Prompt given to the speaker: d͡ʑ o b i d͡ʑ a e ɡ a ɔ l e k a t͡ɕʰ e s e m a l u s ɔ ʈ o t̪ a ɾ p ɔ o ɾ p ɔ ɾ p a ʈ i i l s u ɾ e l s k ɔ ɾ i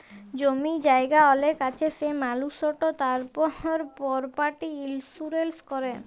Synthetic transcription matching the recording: d͡ʑ o m i d͡ʑ a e ɡ a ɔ l e k a t͡ɕʰ e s e m a l u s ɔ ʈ o t̪ a ɾ p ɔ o ɾ p ɔ ɾ p a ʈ i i l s u ɾ e l s k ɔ ɾ e